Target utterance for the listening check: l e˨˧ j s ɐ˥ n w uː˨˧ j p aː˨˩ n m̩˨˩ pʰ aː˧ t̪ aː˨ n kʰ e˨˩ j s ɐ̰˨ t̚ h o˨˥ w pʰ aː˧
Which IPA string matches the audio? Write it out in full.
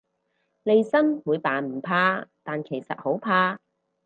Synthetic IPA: l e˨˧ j s ɐ˥ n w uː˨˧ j p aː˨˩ n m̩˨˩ pʰ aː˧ t̪ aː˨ n kʰ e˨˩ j s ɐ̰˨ t̚ h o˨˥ w pʰ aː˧